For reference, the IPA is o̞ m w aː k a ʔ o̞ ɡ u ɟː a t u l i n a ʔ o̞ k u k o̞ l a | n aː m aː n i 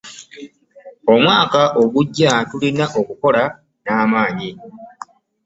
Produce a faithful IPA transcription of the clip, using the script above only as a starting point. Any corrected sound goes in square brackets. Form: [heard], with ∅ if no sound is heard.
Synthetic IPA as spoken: o̞ m w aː k a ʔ o̞ ɡ u ɟː a t u l i n a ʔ o̞ k u k o̞ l a | n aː m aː [ɲ] i